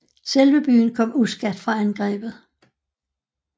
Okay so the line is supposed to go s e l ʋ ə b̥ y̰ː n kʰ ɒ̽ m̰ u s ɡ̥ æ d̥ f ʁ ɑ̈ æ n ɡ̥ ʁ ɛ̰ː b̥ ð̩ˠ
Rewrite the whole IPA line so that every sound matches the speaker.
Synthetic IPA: s e l ʋ ə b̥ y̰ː n kʰ ɒ̽ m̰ u s ɡ̥ æ d̥ f ʁ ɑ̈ æ n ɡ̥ ʁ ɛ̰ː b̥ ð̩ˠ